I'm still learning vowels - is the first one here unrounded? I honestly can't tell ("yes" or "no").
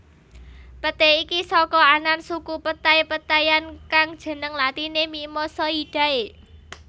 yes